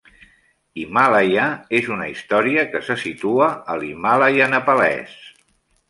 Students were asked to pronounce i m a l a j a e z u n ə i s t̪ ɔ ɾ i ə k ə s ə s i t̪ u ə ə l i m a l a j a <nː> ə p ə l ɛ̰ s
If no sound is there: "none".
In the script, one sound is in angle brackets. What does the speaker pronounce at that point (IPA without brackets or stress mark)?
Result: n